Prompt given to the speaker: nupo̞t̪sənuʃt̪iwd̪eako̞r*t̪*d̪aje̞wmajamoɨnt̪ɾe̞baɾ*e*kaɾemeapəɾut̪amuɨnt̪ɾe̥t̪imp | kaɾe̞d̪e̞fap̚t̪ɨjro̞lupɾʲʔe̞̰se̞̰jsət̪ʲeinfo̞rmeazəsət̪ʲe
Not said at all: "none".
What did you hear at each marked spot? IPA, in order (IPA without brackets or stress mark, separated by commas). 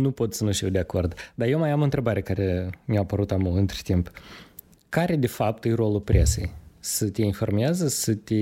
d̪, e